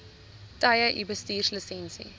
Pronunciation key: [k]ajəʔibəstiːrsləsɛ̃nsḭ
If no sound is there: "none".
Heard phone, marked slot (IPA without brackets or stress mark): t